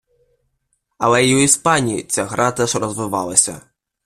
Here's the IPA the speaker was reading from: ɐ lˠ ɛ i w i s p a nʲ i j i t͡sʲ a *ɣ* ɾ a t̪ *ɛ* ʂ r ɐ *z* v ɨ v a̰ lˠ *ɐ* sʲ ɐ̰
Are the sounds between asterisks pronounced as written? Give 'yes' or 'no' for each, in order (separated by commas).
yes, yes, yes, yes